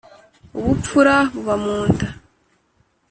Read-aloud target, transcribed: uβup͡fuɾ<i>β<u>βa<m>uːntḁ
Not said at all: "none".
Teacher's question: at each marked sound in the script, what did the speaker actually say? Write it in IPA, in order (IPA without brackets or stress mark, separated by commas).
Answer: a, u, m